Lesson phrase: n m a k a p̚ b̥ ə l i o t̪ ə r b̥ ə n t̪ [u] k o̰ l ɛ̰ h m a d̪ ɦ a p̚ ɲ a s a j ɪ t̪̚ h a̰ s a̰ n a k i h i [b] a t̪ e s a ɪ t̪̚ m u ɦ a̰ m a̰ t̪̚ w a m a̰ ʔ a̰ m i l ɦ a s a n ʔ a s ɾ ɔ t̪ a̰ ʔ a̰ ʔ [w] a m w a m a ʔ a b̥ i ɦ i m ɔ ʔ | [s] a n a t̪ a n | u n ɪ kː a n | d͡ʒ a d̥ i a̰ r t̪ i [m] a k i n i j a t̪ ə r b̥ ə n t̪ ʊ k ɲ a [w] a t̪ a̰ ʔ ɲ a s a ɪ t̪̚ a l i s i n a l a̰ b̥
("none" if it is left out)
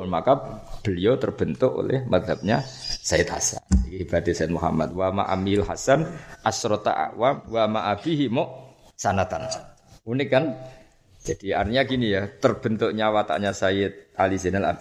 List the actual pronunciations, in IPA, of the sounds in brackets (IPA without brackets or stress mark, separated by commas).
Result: ʊ, b, w, s, ɲ, w